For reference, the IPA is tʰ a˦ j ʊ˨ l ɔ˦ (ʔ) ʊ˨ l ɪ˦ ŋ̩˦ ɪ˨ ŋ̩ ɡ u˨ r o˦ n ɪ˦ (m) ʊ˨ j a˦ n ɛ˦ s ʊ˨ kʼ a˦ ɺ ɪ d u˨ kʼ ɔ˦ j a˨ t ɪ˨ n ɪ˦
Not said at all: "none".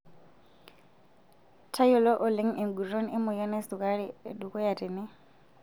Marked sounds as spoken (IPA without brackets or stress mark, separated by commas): ʔ, m